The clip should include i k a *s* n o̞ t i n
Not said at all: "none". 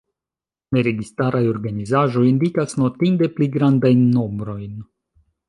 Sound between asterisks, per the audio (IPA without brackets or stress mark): s